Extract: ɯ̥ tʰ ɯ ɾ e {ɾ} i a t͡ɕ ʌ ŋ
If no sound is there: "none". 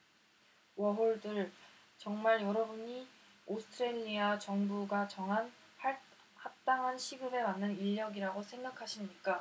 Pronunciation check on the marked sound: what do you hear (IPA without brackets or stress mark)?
ʎ